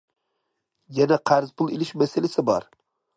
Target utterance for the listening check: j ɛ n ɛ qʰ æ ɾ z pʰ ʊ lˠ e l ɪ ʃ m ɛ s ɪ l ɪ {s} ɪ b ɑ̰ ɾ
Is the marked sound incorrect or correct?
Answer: correct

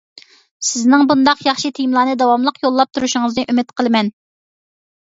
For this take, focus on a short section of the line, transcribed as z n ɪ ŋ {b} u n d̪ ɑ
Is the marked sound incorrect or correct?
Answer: correct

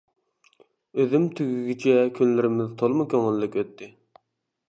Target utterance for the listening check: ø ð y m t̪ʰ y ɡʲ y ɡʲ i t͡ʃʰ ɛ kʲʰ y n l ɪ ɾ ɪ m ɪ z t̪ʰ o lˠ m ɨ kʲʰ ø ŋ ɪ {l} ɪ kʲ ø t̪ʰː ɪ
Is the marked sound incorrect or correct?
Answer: incorrect: lː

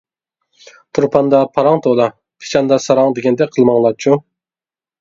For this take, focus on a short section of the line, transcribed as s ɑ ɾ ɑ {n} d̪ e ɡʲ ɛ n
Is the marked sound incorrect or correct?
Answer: incorrect: ŋ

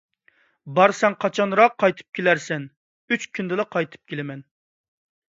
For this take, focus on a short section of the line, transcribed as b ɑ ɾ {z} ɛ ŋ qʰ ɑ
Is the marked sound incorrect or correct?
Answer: incorrect: s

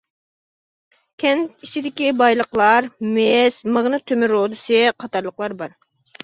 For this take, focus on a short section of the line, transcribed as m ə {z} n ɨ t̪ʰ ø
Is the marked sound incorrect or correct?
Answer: incorrect: ʁ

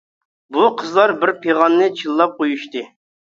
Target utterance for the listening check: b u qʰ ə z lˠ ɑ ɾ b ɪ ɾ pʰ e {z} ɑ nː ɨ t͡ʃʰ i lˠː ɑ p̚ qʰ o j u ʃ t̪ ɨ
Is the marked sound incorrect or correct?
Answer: incorrect: ʁ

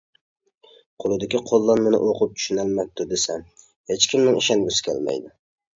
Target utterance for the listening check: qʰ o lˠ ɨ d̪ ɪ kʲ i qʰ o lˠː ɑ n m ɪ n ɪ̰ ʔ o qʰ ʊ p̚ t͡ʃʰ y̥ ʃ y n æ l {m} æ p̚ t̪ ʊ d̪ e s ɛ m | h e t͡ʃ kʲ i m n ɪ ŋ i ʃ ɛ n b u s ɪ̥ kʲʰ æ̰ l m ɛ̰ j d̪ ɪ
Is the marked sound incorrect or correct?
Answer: correct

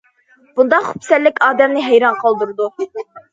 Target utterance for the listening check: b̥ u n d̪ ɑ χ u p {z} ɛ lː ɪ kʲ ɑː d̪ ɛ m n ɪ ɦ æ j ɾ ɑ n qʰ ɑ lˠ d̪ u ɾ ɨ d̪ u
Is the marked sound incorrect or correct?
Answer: incorrect: s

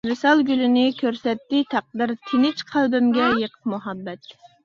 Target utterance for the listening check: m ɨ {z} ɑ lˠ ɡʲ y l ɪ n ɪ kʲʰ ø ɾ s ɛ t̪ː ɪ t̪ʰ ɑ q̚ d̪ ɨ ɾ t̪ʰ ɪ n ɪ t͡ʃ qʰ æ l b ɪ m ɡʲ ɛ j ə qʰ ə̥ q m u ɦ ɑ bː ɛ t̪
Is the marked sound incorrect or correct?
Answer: incorrect: s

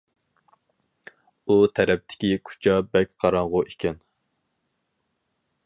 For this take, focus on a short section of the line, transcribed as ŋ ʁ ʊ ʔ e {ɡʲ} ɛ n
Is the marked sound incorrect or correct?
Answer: incorrect: kʲ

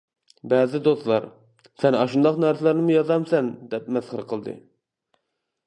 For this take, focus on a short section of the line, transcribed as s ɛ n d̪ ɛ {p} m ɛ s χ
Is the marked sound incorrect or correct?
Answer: correct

